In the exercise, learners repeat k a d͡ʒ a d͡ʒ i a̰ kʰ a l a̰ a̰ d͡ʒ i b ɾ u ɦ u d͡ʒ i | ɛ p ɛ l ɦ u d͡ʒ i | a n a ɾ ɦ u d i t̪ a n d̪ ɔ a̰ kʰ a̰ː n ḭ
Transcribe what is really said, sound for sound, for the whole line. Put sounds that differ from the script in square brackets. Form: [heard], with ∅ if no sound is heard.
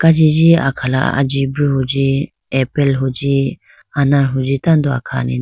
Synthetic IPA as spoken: k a d͡ʒ [i] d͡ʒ i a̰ kʰ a l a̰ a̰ d͡ʒ i b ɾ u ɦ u d͡ʒ i | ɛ p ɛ l ɦ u d͡ʒ i | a n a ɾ ɦ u [d͡ʒ] i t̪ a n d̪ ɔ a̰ kʰ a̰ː n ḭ